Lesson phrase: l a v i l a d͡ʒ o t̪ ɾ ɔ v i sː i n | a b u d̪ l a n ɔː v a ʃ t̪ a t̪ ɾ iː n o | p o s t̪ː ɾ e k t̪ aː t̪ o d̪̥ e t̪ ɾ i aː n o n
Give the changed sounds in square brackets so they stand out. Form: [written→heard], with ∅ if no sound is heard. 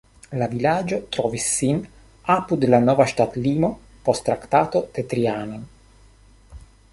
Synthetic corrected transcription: l a v i l a d͡ʒ o t̪ ɾ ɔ v i sː i n | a [b→p] u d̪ l a n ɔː v a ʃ t̪ a t̪ [ɾ→l] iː [n→m] o | p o s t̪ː ɾ [e→a] k t̪ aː t̪ o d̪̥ e t̪ ɾ i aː n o n